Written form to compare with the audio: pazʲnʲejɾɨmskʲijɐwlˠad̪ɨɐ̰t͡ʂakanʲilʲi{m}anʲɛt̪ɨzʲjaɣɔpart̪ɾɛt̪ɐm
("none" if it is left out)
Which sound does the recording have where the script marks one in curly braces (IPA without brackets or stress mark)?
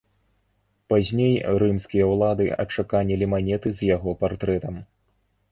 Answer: m